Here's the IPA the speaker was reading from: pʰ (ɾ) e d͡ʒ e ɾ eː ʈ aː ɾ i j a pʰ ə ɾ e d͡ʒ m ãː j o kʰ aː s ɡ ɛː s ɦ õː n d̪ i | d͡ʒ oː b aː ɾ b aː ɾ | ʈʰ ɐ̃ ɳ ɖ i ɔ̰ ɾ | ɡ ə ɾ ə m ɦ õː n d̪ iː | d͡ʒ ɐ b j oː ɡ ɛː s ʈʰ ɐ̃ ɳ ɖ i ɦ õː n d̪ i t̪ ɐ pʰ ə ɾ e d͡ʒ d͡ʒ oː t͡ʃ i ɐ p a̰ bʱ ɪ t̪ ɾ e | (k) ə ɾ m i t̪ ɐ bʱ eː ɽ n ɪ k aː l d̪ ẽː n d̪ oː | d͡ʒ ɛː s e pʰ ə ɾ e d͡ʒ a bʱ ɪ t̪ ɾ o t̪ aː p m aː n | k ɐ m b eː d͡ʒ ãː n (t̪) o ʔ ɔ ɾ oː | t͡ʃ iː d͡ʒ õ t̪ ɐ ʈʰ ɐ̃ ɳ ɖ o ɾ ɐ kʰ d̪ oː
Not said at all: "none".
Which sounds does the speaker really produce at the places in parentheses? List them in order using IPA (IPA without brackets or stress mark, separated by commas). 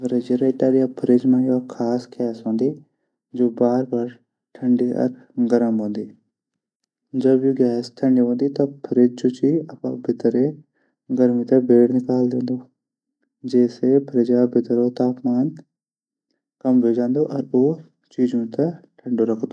ɾ, ɡ, d̪